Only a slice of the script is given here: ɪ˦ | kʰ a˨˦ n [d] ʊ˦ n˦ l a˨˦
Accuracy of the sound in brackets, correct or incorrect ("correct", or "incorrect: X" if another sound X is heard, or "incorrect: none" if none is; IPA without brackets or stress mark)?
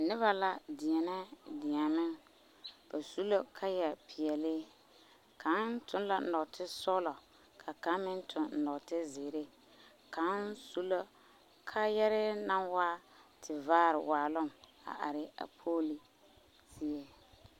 incorrect: t